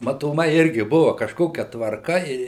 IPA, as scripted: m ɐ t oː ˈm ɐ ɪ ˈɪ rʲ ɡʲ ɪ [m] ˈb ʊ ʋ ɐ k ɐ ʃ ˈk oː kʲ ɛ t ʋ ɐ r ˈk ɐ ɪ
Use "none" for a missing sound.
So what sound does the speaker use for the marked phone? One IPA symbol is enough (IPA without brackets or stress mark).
none